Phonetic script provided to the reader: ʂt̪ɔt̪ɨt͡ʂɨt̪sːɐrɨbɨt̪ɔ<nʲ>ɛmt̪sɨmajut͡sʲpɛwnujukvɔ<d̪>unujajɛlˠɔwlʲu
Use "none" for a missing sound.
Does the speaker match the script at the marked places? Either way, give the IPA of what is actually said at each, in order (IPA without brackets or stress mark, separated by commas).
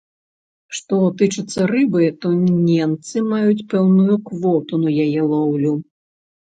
nʲ, t̪